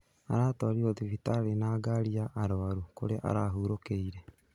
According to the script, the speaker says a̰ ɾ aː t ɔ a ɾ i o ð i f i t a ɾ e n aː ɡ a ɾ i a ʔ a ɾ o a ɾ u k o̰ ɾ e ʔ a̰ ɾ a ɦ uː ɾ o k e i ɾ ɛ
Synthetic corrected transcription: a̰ ɾ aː t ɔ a ɾ i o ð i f i t a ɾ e n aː ɡ a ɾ i a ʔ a ɾ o a ɾ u k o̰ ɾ e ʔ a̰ ɾ a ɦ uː ɾ o k e i ɾ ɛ